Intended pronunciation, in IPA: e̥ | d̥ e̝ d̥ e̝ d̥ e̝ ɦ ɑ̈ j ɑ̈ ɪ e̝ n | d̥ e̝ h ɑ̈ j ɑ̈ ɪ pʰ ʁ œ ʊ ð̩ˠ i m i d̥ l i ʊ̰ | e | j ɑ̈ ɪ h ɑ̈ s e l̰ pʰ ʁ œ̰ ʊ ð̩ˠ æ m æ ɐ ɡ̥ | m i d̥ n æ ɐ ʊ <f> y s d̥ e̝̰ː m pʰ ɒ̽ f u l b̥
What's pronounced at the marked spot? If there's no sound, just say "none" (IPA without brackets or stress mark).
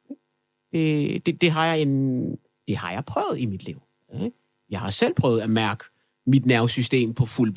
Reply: s